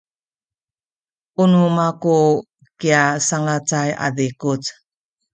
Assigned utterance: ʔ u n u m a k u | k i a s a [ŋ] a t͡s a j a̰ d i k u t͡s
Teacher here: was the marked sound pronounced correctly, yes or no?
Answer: yes